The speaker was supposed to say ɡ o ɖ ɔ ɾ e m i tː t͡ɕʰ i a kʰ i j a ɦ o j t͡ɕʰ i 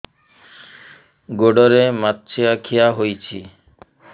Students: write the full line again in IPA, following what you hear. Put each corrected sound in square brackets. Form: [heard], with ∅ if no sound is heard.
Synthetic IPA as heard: ɡ o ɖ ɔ ɾ e m [a] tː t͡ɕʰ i a kʰ i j a ɦ o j t͡ɕʰ i

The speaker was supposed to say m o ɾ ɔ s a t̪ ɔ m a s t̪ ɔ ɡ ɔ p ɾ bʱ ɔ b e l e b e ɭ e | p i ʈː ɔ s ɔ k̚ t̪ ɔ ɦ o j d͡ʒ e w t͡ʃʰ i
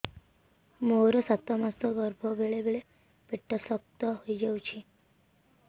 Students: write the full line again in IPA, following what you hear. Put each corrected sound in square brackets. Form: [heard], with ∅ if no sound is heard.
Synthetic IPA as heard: m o ɾ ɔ s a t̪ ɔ m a s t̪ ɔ ɡ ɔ [∅] ɾ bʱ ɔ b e [ɭ] e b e ɭ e | p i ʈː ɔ s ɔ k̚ t̪ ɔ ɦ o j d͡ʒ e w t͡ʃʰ i

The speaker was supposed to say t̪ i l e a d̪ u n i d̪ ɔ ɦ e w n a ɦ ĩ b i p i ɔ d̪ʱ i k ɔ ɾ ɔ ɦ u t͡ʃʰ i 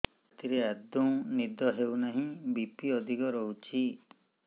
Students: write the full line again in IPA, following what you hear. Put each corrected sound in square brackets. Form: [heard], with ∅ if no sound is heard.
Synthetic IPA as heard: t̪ i [ɾ] e a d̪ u n i d̪ ɔ ɦ e w n a ɦ ĩ b i p i ɔ d̪ʱ i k ɔ ɾ ɔ ɦ u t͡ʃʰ i

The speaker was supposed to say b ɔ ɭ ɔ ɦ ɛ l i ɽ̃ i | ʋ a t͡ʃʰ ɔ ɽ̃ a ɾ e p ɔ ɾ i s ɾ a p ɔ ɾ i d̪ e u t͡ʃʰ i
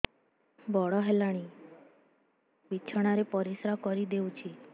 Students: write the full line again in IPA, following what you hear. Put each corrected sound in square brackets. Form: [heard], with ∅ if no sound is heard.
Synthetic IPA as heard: b ɔ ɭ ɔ ɦ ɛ l [a] ɽ̃ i | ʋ [i] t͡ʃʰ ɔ ɽ̃ a ɾ e p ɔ ɾ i s ɾ a [k] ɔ ɾ i d̪ e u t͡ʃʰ i

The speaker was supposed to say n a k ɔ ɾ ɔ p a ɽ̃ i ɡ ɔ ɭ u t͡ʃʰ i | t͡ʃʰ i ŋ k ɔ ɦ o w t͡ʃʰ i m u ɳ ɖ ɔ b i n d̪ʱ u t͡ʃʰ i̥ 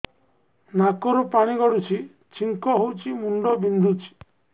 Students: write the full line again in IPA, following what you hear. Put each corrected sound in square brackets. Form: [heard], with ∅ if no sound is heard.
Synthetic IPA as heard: n a k ɔ ɾ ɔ p a ɽ̃ i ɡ ɔ [ɽ] u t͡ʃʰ i | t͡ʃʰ i ŋ k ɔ ɦ o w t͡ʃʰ i m u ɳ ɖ ɔ b i n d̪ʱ u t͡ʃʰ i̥

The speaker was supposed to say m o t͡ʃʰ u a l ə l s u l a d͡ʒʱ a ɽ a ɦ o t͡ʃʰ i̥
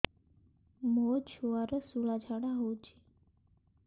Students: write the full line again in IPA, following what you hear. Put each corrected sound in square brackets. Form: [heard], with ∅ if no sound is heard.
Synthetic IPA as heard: m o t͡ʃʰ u a [ɾ] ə [∅] s u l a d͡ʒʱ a ɽ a ɦ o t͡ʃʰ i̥

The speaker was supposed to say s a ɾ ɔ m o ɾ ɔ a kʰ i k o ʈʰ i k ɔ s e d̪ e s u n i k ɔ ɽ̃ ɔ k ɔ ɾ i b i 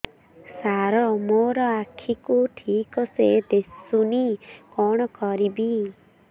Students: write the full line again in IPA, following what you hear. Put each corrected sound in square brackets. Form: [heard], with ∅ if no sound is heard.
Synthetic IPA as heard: s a ɾ ɔ m o ɾ ɔ a kʰ i k [u] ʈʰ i k ɔ s e d̪ e s u n i k ɔ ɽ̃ ɔ k ɔ ɾ i b i

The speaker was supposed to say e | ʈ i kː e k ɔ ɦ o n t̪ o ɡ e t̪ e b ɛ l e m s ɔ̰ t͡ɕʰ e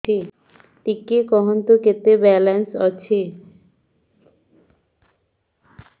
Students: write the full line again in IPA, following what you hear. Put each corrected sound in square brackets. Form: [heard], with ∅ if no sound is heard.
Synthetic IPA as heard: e | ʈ i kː e k ɔ ɦ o n t̪ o [k] e t̪ e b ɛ l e [n] s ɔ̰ t͡ɕʰ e

